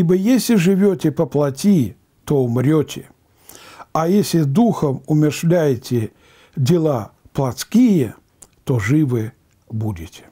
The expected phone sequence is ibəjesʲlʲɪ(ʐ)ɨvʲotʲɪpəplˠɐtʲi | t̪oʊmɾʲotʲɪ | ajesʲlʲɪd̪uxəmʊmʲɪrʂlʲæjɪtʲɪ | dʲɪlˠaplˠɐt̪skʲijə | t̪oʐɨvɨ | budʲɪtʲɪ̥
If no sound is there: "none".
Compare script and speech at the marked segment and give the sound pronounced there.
ʐ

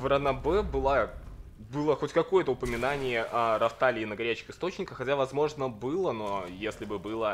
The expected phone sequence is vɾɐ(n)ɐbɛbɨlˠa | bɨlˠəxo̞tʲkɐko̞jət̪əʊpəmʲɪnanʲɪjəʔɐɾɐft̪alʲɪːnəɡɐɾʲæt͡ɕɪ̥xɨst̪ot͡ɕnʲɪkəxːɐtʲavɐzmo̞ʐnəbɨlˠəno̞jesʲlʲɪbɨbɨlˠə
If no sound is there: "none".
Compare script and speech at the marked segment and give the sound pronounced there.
n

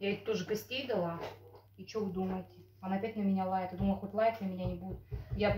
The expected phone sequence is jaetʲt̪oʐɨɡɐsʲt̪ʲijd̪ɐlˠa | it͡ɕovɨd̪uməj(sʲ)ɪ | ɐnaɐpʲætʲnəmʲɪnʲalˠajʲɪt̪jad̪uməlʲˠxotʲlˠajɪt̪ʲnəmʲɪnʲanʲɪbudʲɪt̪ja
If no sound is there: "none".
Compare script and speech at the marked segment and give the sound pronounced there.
tʲ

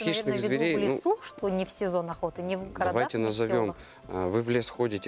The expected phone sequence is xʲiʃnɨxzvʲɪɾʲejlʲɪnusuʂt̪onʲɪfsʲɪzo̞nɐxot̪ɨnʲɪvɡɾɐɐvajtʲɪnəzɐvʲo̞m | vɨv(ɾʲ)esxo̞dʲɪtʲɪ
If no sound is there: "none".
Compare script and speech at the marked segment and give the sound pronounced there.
lʲ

